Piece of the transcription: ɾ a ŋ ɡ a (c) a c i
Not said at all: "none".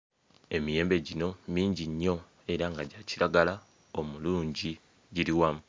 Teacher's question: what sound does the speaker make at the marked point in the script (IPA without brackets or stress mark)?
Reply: ɟ